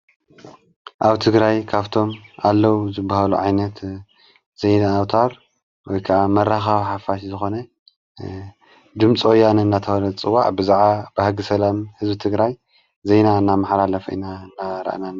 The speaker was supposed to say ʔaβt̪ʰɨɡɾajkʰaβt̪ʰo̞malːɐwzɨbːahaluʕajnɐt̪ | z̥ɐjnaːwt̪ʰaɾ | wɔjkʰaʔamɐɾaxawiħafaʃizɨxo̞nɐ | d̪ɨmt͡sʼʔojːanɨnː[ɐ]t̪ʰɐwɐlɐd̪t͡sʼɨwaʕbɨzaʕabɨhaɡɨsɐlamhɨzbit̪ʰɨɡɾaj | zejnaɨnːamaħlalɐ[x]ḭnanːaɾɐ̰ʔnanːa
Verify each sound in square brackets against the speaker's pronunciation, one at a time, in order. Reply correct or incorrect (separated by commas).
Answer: incorrect, incorrect